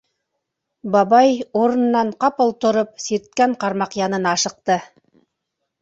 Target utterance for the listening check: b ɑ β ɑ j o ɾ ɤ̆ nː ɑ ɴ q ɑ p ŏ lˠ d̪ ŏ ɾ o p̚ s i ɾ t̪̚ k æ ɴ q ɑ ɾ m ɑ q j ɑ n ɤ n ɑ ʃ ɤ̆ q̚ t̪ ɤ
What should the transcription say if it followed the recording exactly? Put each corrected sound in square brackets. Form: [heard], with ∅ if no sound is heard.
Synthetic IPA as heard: b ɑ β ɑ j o ɾ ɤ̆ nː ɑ ɴ q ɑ p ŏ lˠ [t̪] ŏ ɾ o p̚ s i ɾ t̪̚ k æ ɴ q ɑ ɾ m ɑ q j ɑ n ɤ n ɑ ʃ ɤ̆ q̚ t̪ ɤ